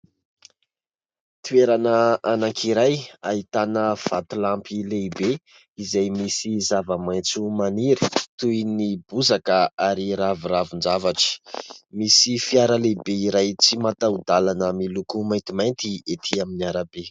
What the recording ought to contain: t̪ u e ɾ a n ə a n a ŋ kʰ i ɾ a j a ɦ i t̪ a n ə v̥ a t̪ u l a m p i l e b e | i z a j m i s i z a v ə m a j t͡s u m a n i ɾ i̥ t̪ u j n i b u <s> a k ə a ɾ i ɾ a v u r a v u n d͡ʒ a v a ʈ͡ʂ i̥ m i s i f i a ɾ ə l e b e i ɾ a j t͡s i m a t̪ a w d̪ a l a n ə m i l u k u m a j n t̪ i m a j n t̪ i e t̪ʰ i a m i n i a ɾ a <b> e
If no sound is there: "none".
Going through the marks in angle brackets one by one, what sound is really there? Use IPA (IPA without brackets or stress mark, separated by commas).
z, b